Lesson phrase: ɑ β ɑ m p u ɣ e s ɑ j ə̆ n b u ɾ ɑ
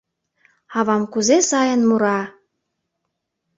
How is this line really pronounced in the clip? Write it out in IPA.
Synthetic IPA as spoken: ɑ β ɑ m k u z e s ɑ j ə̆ n m u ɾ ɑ